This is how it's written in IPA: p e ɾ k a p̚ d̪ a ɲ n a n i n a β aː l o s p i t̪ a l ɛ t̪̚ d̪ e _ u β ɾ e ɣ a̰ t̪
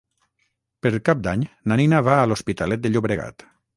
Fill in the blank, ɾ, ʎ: ʎ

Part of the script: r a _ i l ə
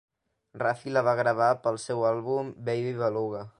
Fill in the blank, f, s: f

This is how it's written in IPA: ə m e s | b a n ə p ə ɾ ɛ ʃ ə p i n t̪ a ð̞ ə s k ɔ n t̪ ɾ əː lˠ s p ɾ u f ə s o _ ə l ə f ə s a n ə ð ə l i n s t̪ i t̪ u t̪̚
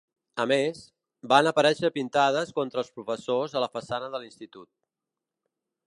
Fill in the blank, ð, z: z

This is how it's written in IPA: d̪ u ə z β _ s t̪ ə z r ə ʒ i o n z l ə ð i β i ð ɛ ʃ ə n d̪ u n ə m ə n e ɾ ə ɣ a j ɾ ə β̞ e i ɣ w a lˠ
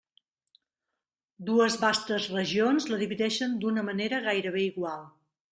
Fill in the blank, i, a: a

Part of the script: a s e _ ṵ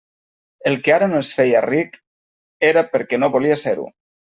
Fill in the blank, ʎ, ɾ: ɾ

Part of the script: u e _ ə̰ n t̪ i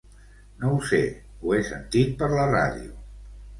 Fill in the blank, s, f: s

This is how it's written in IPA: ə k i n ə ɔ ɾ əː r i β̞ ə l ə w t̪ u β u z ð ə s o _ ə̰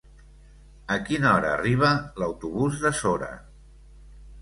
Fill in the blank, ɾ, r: ɾ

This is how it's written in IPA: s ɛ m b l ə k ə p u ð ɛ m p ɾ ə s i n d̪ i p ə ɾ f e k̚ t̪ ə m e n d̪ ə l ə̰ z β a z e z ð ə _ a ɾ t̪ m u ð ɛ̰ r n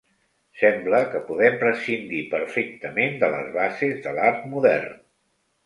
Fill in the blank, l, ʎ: l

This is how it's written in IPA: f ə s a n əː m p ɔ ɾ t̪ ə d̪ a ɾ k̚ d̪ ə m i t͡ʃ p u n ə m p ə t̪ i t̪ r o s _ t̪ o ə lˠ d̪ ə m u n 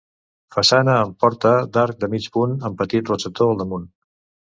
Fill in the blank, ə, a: ə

